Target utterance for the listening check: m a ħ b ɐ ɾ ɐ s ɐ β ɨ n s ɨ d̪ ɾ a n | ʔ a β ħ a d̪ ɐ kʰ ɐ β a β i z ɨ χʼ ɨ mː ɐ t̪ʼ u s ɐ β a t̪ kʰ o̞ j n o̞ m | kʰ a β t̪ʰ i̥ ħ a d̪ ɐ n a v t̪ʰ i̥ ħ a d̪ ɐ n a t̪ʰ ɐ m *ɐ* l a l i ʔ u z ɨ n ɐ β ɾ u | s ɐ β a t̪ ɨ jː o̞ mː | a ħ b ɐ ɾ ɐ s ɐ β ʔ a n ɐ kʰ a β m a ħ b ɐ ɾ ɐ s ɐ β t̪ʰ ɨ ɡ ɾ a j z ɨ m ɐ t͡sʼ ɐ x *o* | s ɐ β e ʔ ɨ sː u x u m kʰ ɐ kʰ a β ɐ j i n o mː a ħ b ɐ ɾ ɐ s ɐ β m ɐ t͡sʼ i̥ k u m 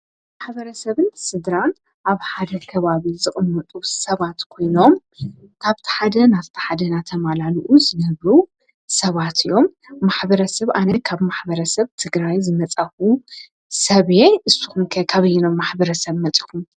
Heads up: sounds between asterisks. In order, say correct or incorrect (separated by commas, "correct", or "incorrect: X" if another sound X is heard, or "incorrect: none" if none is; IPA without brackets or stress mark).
incorrect: a, incorrect: u